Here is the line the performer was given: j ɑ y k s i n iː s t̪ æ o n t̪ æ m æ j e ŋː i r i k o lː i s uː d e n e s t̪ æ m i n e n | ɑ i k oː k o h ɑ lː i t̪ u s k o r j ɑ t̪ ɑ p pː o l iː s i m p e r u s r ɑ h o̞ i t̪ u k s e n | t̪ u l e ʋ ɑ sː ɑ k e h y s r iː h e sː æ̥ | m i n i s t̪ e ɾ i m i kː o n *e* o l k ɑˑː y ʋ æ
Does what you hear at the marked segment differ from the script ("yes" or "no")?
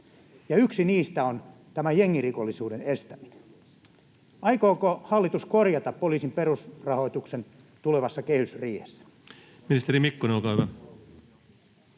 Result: no